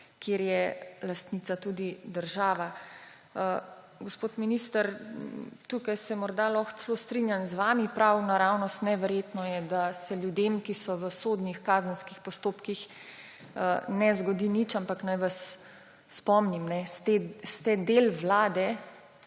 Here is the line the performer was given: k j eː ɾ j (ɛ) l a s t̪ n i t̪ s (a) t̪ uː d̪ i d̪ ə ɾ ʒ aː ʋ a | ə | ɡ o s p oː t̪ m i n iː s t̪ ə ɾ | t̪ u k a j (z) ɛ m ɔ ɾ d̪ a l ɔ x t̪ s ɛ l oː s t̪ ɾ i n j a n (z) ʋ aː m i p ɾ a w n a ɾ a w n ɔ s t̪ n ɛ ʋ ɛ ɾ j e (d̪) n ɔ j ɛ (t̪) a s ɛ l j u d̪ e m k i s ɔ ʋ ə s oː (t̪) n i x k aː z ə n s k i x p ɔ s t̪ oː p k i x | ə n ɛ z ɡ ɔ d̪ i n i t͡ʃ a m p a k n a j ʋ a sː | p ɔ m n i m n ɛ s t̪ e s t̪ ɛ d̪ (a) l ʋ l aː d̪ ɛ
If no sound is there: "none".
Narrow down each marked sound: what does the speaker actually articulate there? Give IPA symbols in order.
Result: ɛ, a, s, z, t̪, d̪, d̪, e

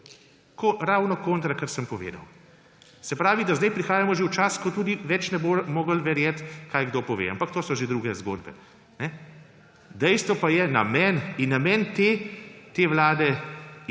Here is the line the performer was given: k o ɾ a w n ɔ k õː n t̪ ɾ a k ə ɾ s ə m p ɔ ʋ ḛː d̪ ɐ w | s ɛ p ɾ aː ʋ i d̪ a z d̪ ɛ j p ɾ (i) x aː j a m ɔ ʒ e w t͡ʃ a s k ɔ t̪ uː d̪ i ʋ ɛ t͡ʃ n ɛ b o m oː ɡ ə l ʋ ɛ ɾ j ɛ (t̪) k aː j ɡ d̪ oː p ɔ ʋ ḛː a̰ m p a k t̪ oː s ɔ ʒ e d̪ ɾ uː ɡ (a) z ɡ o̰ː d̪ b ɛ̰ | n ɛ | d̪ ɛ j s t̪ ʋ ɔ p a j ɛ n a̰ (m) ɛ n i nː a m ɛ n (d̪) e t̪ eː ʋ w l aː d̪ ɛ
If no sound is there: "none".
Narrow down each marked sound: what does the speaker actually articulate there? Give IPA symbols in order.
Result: i, t̪, ɛ, m, t̪

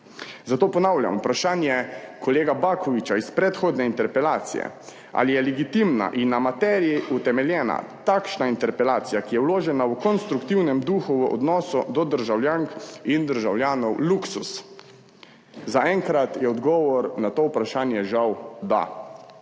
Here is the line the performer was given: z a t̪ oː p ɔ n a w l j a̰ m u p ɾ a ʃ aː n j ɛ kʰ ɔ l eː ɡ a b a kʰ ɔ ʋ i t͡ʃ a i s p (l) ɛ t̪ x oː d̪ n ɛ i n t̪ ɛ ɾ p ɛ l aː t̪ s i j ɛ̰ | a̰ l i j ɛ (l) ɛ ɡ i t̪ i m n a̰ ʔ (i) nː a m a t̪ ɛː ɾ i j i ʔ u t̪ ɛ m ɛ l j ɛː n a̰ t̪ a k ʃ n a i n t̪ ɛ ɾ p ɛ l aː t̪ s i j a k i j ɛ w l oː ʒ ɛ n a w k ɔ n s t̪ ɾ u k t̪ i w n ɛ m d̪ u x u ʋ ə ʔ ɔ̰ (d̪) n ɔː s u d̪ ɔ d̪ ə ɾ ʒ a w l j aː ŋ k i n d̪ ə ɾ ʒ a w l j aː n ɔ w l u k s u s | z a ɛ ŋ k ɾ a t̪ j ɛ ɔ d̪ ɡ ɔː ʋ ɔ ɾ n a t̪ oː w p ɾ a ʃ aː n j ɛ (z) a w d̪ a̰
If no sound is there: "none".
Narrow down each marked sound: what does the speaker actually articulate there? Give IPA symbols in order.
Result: ɾ, l, i, d̪, ʒ

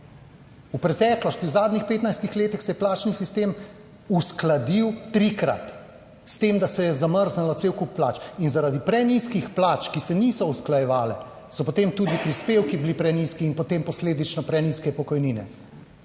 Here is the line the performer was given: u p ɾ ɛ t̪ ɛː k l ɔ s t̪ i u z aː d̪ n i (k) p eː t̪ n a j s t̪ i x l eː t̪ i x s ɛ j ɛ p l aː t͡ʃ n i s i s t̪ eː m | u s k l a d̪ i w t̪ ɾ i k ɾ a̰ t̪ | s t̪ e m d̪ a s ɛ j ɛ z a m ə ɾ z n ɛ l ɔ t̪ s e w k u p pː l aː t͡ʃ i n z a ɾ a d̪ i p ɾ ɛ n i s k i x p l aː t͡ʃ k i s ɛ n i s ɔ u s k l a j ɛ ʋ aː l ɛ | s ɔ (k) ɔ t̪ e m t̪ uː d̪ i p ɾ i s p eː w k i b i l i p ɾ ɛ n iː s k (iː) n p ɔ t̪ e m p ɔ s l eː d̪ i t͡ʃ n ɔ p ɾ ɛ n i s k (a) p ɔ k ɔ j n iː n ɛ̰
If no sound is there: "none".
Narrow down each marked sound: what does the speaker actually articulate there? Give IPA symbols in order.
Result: x, p, iː, ɛ

